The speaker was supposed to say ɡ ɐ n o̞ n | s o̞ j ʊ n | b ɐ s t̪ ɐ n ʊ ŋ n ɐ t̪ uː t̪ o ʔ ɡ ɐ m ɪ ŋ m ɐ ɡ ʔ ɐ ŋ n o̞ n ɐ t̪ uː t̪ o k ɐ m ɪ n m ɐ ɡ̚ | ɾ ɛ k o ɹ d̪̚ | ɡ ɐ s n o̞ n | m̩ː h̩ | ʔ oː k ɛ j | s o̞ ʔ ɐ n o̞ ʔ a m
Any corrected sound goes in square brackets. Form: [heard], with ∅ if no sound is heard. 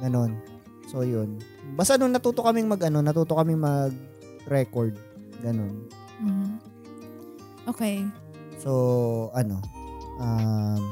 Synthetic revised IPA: ɡ ɐ n o̞ n | s o̞ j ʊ n | b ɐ s t̪ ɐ n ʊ ŋ n ɐ t̪ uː t̪ o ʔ [k] ɐ m ɪ ŋ m ɐ ɡ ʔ ɐ [∅] n o̞ n ɐ t̪ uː t̪ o k ɐ m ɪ [ŋ] m ɐ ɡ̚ | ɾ ɛ k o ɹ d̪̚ | ɡ ɐ [∅] n o̞ n | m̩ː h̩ | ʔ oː k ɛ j | s o̞ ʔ ɐ n o̞ ʔ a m